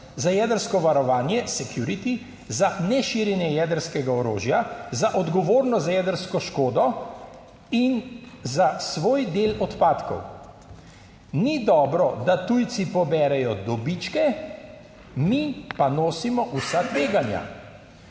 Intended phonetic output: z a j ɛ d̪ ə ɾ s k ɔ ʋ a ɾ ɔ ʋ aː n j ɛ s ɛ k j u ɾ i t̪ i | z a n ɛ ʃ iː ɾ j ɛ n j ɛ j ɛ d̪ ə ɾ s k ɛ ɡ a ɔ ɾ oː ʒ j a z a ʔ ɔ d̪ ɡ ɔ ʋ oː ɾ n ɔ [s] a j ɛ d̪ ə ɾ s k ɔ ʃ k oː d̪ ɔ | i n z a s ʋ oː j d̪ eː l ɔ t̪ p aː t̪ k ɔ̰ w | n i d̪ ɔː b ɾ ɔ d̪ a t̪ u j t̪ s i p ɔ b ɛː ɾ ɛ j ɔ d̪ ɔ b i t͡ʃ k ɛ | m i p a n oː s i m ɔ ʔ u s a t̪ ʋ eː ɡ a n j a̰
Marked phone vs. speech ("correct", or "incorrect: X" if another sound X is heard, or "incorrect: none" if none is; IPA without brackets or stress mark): incorrect: z